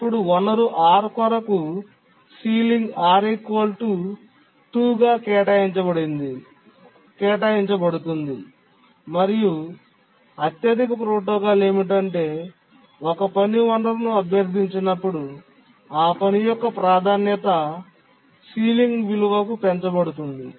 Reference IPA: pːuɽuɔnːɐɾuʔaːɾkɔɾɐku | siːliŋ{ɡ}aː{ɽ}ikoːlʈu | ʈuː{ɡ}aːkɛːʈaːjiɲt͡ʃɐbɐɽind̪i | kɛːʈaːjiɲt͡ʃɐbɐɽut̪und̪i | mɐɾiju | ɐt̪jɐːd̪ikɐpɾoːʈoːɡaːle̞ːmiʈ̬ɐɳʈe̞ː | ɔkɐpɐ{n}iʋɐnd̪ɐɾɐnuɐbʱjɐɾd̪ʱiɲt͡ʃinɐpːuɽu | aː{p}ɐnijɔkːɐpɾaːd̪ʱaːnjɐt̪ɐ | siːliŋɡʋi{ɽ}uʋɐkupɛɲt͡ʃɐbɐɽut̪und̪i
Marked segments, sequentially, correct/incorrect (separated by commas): correct, incorrect, correct, correct, correct, incorrect